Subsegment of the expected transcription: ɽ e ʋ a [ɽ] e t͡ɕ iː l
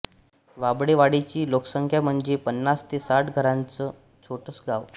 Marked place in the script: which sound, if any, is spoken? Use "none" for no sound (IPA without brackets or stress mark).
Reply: ɽ